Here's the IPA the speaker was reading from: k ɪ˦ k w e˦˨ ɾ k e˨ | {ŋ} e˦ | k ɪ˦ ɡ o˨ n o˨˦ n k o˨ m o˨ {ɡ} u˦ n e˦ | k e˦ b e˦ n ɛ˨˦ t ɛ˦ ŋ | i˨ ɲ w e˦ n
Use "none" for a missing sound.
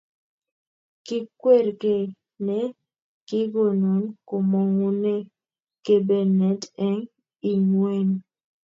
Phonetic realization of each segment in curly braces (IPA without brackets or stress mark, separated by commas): n, ŋ